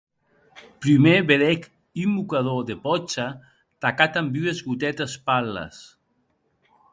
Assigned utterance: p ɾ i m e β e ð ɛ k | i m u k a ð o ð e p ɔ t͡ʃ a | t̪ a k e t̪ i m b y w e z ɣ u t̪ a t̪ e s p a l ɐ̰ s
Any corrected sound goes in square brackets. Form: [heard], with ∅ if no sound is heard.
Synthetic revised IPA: p ɾ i m e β e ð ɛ k | i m u k a ð o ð e p ɔ t͡ʃ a | t̪ a k [a] t̪ [a] m b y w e z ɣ u t̪ [ɛ] t̪ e s p a l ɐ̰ s